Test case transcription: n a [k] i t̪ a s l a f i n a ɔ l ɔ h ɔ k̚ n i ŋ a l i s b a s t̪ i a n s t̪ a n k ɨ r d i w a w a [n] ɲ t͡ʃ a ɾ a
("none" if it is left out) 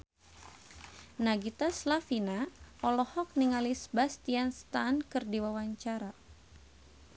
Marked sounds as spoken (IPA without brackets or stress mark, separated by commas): ɡ, none